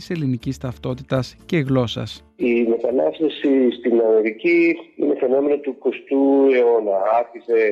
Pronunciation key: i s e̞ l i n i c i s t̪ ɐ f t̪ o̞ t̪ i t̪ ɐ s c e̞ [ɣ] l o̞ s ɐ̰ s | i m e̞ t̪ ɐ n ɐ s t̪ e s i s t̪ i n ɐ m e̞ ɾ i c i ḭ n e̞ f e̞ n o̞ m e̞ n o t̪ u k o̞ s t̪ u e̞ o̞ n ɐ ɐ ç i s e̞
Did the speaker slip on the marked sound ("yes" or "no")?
no